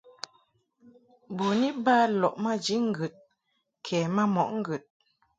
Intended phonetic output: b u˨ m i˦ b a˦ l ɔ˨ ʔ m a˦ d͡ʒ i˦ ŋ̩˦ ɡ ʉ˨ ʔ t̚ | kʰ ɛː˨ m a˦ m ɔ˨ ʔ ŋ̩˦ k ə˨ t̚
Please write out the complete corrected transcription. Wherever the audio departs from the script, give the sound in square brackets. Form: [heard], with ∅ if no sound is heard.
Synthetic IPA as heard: b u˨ [n] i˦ b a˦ l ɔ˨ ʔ m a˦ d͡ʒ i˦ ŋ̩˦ ɡ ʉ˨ [∅] t̚ | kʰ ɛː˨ m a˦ m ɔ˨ ʔ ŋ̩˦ [ɡ] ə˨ t̚